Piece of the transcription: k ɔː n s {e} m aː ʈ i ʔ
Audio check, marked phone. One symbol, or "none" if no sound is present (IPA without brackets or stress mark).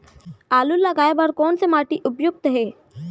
e